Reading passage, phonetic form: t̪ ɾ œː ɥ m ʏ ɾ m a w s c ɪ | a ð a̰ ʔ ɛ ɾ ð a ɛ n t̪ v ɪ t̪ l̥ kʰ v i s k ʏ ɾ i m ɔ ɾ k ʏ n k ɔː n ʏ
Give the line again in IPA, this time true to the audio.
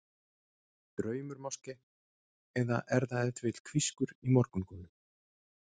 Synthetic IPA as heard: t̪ ɾ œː ɥ m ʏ ɾ m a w s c ɪ | ɛ ð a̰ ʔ ɛ ɾ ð a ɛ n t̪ v ɪ t̪ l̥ kʰ v i s k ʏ ɾ i m ɔ ɾ k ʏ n k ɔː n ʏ